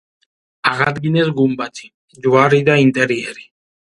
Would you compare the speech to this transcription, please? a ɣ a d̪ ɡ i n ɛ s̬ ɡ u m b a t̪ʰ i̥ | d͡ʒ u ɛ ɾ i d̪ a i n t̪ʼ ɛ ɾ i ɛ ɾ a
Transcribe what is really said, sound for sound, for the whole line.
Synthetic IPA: a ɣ a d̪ ɡ i n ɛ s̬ ɡ u m b a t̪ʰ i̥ | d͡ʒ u a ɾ i d̪ a i n t̪ʼ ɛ ɾ i ɛ ɾ i

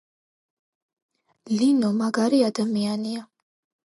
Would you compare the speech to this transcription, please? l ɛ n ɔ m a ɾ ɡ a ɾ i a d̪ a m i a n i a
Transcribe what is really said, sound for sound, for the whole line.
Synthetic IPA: l i n ɔ m a ɡ a ɾ i a d̪ a m i a n i a

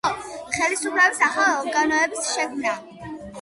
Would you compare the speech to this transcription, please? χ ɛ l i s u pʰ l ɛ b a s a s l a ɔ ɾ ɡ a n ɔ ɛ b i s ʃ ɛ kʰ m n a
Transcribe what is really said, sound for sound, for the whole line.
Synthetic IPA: χ ɛ l i s u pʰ l ɛ b i s a χ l a ɔ ɾ ɡ a n ɔ ɛ b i s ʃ ɛ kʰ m n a

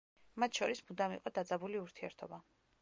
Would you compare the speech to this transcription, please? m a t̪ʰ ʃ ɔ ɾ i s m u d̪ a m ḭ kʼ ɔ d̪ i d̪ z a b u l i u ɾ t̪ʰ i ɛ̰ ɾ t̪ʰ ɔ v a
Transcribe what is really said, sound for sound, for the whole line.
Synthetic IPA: m a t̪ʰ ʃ ɔ ɾ i s m u d̪ a m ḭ qʼ ɔ d̪ a d̪ z a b u l i u ɾ t̪ʰ i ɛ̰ ɾ t̪ʰ ɔ b a

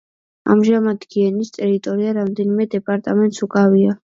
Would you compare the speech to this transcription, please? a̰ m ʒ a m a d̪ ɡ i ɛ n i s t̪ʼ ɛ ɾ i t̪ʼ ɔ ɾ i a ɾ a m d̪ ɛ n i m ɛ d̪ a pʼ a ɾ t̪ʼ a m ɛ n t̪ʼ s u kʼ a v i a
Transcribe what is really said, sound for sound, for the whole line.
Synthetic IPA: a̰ m ʒ a m a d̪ ɡ i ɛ n i s t̪ʼ ɛ ɾ i t̪ʼ ɔ ɾ i a ɾ a m d̪ ɛ n i m ɛ d̪ ɛ pʼ a ɾ t̪ʼ a m ɛ n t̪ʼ s u kʼ a v i a

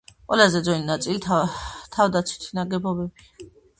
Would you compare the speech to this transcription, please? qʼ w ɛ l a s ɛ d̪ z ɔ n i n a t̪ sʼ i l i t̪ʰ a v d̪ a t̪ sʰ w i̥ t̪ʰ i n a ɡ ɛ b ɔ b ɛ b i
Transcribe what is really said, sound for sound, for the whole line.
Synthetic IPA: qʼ w ɛ l a z ɛ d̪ z ɔ n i n a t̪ sʼ i l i t̪ʰ a v d̪ a t̪ sʰ w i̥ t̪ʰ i n a ɡ ɛ b ɔ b ɛ b i

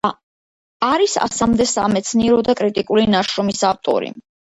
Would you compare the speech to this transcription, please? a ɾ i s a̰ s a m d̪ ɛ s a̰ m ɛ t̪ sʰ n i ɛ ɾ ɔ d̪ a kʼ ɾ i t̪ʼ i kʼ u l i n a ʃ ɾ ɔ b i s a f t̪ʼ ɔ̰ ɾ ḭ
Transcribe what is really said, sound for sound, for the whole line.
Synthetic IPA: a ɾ i s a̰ s a m d̪ ɛ s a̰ m ɛ t̪ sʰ n i ɛ ɾ ɔ d̪ a kʼ ɾ i t̪ʼ i kʼ u l i n a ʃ ɾ ɔ m i s a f t̪ʼ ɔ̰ ɾ ḭ

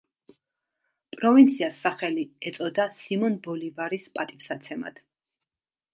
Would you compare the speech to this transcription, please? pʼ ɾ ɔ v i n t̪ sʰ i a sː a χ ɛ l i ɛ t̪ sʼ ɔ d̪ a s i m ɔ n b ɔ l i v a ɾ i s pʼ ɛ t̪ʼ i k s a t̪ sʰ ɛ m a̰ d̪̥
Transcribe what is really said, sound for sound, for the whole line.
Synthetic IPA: pʼ ɾ ɔ v i n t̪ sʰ i a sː a χ ɛ l i ɛ t̪ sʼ ɔ d̪ a s i m ɔ n b ɔ l i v a ɾ i s pʼ a t̪ʼ i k s a t̪ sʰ ɛ m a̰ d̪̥

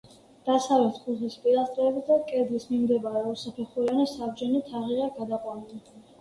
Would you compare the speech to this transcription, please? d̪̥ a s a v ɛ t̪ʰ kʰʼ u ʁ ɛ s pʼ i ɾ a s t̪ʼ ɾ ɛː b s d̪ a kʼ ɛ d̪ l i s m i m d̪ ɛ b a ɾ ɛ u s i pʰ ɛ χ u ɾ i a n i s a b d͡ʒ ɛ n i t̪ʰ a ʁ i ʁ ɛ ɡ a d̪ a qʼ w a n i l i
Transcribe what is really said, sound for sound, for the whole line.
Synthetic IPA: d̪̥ a s a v ɛ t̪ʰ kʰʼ u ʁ i s pʼ i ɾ a s t̪ʼ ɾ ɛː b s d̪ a kʼ ɛ d̪ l i s m i m d̪ ɛ b a ɾ ɛ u s a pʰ ɛ χ u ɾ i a n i s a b d͡ʒ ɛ n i t̪ʰ a ʁ i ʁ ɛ ɡ a d̪ a qʼ w a n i l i

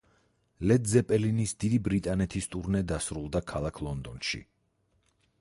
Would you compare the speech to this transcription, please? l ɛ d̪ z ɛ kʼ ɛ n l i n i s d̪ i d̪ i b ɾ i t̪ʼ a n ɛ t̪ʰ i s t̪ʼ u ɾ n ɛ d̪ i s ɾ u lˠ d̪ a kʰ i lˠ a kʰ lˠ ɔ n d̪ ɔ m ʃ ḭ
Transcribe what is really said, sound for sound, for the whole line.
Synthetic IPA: l ɛ d̪ z ɛ pʼ ɛ l i n i s d̪ i d̪ i b ɾ i t̪ʼ a n ɛ t̪ʰ i s t̪ʼ u ɾ n ɛ d̪ a s ɾ u lˠ d̪ a kʰ a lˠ a kʰ lˠ ɔ n d̪ ɔ n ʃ ḭ

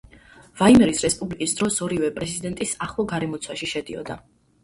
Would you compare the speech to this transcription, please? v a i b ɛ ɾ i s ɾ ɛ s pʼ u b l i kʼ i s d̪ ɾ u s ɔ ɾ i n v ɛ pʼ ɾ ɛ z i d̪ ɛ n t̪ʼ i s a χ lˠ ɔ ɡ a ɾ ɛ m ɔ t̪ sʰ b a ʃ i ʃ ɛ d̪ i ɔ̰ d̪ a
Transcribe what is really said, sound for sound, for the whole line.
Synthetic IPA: v a i m ɛ ɾ i s ɾ ɛ s pʼ u b l i kʼ i s d̪ ɾ ɔ s ɔ ɾ i v ɛ pʼ ɾ ɛ z i d̪ ɛ n t̪ʼ i s a χ lˠ ɔ ɡ a ɾ ɛ m ɔ t̪ sʰ w a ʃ i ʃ ɛ d̪ i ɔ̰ d̪ a

